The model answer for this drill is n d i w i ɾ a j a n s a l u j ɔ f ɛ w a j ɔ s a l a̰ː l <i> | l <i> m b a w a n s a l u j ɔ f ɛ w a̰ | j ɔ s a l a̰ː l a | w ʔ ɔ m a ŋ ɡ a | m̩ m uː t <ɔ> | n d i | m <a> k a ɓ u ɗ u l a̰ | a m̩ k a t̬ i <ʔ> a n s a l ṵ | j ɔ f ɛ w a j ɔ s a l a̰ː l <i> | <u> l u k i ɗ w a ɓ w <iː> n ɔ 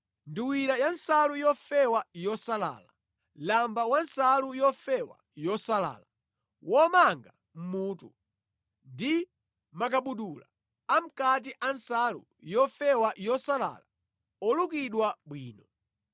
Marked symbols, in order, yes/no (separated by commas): no, no, no, yes, yes, no, no, yes